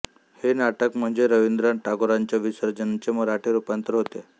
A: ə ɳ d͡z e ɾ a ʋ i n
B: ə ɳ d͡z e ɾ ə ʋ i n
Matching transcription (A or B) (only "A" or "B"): B